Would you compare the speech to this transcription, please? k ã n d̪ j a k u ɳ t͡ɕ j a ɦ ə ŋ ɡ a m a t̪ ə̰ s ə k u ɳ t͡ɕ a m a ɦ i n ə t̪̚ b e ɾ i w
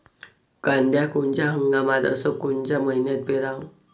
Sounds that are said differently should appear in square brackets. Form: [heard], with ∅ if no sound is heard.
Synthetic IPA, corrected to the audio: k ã n d̪ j a k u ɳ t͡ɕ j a ɦ ə ŋ ɡ a m a t̪ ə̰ s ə k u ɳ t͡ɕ a m [ə] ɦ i n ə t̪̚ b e ɾ [a] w